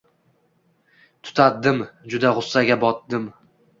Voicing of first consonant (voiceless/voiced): voiceless